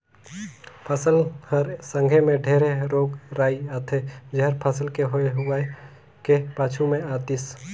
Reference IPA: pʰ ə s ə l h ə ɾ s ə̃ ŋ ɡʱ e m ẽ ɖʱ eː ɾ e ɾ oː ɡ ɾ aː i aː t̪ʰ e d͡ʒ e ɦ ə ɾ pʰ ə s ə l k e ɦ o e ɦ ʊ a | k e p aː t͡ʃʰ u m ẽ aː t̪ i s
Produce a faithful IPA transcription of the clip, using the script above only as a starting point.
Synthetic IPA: pʰ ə s ə l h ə ɾ s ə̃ ŋ ɡʱ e m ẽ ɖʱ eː ɾ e ɾ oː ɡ ɾ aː i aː t̪ʰ e d͡ʒ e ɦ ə ɾ pʰ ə s ə l k e ɦ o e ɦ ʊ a | k e p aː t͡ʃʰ u m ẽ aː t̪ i s